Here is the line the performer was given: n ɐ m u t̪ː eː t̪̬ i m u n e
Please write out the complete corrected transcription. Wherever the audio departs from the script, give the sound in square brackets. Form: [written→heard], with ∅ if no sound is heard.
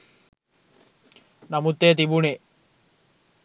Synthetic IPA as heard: n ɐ m u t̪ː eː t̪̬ i [m→b] u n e